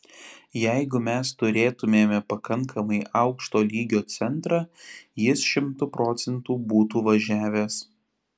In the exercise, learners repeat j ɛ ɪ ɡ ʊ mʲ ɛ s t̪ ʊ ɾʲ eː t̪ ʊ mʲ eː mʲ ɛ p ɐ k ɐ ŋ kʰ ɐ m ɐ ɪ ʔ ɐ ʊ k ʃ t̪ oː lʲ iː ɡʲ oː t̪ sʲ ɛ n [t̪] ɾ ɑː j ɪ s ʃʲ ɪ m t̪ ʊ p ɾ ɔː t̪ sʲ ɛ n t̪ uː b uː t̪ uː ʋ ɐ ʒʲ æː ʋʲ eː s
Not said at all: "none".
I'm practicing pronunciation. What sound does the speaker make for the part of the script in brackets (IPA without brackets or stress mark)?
t̪